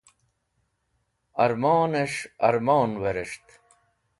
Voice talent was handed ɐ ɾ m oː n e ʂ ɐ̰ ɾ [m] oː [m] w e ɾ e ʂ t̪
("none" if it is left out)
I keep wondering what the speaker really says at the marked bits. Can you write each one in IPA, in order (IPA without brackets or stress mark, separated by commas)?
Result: m, n